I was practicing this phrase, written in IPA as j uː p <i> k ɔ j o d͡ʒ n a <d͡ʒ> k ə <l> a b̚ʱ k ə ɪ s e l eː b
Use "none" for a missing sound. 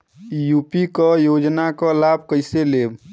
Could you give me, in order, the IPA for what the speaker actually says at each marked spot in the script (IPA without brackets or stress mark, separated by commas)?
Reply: i, none, l